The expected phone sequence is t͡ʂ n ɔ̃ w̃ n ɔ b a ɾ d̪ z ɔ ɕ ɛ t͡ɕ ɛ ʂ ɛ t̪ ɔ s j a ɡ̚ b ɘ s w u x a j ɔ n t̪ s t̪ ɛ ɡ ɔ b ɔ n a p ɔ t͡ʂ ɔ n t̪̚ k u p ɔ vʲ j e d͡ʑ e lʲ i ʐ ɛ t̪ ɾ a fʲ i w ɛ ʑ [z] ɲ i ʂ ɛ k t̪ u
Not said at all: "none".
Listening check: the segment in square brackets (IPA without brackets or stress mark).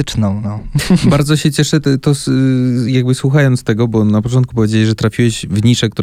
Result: v